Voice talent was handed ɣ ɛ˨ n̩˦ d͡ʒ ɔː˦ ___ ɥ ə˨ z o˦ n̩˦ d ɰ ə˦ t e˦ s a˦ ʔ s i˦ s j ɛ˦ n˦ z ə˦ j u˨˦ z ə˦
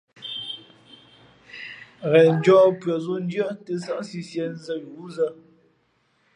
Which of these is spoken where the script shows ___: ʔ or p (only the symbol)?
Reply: p